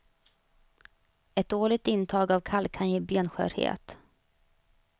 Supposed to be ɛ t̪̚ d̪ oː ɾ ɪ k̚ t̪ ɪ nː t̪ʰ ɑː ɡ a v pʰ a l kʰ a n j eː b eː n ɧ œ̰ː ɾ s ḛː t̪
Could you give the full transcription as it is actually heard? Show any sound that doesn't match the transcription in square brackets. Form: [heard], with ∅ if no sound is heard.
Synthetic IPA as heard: ɛ t̪̚ d̪ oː [ɭ] ɪ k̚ t̪ ɪ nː t̪ʰ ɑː ɡ a v [kʰ] a l kʰ a n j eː b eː n ɧ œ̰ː ɾ [h] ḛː t̪